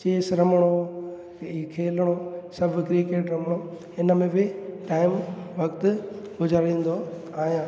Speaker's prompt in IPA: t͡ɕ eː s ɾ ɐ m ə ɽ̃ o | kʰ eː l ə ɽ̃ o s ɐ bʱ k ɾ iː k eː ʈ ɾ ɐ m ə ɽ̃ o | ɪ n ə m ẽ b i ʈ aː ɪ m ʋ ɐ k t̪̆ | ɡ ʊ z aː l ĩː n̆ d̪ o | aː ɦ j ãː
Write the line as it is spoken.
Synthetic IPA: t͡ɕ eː s ɾ ɐ m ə ɽ̃ o | kʰ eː l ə ɽ̃ o s ɐ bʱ k ɾ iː k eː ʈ ɾ ɐ m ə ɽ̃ o | ɪ n ə m ẽ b ɪ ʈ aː ɪ m ʋ ɐ k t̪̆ | ɡ ʊ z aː ɾ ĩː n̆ d̪ o | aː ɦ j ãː